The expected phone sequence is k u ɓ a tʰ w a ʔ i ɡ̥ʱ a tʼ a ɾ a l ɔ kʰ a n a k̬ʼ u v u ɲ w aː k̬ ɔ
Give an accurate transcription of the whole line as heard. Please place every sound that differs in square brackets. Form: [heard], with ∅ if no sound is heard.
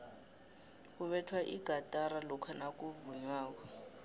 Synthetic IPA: k u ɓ [ɛ] tʰ w a ʔ i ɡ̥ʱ a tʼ a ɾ a l ɔ kʰ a n a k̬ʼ u v u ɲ w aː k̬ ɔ